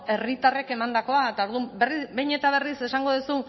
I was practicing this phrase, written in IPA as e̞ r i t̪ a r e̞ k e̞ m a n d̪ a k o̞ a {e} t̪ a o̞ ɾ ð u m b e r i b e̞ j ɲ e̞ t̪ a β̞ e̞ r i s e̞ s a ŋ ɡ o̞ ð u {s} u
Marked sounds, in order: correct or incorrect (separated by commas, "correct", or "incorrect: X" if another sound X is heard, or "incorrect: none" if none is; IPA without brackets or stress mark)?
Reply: correct, correct